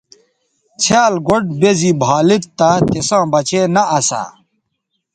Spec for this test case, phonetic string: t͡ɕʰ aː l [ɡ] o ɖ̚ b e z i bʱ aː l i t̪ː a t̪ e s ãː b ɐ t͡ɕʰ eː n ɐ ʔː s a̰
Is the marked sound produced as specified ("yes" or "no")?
yes